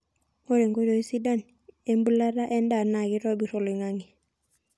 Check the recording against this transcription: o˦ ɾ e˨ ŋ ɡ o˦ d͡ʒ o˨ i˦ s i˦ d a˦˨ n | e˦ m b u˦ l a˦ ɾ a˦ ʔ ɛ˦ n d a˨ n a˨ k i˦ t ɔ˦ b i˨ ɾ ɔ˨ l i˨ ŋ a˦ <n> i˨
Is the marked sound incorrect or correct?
incorrect